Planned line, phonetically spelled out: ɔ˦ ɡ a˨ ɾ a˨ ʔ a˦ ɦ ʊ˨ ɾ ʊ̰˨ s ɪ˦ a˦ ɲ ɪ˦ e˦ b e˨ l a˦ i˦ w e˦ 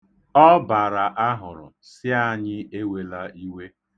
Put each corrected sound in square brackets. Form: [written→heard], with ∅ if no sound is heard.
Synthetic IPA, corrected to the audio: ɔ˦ [ɡ→b] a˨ ɾ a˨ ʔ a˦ ɦ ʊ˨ ɾ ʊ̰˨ s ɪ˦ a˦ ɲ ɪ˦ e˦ [b→w] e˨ l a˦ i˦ w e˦